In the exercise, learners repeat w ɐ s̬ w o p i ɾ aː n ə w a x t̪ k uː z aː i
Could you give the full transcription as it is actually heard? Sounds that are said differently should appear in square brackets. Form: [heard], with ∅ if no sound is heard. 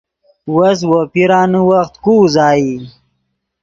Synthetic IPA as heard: w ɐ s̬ w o p i ɾ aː n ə w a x t̪ k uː z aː i